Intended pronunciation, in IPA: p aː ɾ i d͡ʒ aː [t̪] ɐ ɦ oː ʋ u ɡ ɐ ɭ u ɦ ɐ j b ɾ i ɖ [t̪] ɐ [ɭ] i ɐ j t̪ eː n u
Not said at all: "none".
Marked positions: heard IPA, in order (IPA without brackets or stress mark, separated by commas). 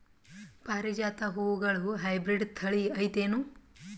t̪, t̪ʰ, ɭ